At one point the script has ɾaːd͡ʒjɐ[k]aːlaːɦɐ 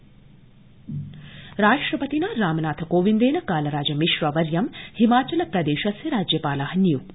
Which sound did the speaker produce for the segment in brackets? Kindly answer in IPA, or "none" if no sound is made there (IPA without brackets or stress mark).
p